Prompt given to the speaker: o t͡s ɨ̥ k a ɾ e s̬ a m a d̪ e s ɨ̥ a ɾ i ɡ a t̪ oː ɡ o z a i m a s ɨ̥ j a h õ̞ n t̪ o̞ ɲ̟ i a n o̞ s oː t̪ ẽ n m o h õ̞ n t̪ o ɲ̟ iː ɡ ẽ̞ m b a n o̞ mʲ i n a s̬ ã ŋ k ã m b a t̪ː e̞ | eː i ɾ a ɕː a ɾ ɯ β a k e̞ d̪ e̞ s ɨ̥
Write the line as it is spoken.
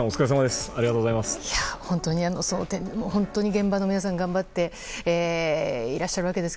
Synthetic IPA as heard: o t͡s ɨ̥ k a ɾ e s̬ a m a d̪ e s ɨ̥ a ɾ i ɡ a t̪ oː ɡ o z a i m a s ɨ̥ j a h õ̞ n t̪ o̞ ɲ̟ i a n o̞ s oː t̪ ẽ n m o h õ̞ n t̪ o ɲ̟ i ɡ ẽ̞ m b a n o̞ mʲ i n a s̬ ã ŋ ɡ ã m b a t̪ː e̞ | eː i ɾ a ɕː a ɾ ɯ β a k e̞ d̪ e̞ s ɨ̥